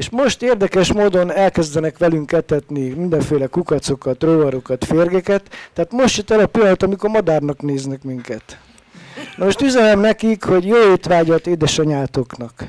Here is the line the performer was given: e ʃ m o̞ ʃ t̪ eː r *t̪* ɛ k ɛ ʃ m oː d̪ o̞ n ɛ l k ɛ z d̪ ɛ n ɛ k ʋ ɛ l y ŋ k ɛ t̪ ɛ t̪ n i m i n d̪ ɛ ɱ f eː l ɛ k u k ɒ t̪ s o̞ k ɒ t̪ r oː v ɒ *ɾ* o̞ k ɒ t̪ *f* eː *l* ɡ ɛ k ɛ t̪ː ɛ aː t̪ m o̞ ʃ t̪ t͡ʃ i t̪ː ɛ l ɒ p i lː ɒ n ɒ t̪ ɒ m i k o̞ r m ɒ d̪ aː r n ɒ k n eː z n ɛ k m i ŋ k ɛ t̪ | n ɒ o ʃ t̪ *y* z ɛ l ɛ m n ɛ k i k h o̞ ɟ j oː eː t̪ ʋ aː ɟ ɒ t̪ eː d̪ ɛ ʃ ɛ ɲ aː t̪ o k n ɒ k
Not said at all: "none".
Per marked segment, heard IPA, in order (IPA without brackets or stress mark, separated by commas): d̪, ɾ, f, r, y